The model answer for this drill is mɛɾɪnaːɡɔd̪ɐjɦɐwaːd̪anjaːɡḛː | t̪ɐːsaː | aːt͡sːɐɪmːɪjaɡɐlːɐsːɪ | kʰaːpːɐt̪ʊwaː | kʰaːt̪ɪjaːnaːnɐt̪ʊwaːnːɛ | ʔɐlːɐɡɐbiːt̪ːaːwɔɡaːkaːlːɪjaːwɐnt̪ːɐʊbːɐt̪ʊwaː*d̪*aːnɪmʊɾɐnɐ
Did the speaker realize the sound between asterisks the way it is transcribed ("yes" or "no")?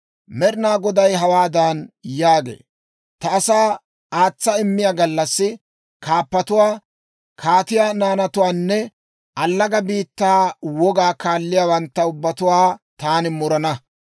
no